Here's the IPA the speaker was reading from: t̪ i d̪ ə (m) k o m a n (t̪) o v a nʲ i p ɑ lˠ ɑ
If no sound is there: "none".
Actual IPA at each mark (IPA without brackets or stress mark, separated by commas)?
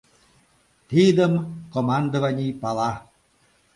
m, d̪